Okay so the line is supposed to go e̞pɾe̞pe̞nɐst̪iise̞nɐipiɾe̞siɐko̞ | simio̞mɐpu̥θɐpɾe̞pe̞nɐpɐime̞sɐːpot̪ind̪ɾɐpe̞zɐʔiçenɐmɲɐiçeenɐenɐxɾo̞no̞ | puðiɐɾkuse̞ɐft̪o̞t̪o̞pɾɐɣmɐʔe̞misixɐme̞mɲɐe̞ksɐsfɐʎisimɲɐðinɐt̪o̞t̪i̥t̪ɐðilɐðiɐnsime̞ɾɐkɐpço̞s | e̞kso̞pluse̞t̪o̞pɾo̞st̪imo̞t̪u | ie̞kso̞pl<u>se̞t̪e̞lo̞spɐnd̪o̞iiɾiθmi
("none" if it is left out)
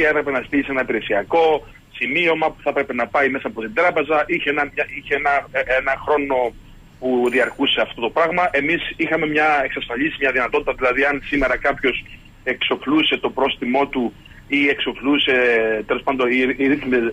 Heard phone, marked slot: u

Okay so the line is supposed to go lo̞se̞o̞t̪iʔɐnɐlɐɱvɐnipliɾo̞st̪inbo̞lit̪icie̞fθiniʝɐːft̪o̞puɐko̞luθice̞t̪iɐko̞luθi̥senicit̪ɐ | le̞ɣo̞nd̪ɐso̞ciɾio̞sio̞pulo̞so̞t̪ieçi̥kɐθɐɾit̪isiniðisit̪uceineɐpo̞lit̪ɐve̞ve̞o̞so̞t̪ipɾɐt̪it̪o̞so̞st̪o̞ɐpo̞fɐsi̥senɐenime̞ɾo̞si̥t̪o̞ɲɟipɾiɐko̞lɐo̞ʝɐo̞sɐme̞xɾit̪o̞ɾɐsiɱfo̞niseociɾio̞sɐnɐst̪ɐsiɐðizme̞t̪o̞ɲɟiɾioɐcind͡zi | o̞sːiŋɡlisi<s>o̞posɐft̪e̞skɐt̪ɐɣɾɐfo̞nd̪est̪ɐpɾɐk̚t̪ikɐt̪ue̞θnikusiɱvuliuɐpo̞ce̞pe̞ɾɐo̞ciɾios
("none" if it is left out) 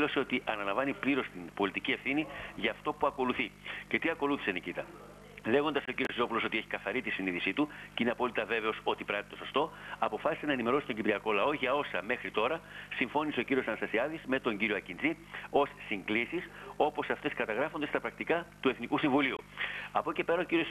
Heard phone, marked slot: s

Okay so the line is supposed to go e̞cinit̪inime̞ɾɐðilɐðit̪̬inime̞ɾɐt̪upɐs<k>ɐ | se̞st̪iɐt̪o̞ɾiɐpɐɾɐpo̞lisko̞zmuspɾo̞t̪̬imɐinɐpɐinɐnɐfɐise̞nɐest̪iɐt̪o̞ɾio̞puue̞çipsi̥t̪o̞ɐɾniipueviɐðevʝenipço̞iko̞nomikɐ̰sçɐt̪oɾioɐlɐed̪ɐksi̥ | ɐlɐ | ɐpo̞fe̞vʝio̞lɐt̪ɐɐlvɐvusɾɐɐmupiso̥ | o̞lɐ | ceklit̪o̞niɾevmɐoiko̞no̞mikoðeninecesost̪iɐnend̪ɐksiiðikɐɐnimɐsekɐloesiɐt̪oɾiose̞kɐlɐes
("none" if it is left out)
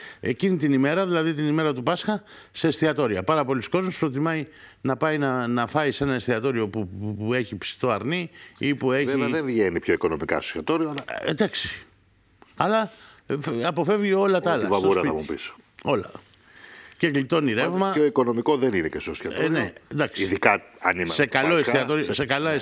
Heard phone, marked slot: x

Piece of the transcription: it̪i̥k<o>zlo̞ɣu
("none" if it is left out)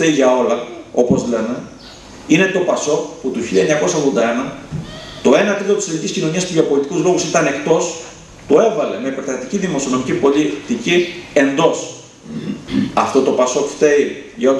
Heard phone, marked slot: u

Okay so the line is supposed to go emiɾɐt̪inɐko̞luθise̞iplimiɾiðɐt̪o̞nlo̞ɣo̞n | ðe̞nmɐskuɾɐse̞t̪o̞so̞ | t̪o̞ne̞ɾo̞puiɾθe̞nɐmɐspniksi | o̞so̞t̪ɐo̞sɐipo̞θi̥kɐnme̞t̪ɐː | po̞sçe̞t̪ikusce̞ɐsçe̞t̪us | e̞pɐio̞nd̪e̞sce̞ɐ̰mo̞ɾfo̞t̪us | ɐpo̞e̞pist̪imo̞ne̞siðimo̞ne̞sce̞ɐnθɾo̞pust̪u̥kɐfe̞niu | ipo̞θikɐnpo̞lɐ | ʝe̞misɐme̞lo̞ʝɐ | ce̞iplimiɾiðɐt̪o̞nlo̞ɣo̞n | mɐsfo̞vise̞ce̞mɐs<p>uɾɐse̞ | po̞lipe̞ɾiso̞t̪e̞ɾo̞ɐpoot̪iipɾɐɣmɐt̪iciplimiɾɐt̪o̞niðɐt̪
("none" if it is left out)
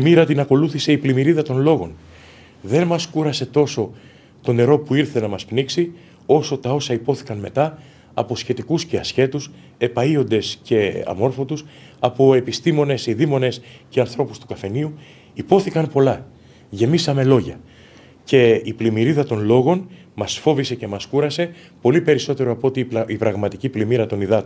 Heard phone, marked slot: k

